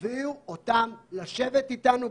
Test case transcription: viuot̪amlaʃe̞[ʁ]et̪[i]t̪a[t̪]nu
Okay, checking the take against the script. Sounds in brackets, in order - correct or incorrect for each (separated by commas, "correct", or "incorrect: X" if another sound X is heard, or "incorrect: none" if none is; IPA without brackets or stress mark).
incorrect: v, correct, incorrect: none